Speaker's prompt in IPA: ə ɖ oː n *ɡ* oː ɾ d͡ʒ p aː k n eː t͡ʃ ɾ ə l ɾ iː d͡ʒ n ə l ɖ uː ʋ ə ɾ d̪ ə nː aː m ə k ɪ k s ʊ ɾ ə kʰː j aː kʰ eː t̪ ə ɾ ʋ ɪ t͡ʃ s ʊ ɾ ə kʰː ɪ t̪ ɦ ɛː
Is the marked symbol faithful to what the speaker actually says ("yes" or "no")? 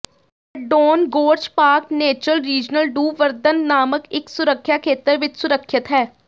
yes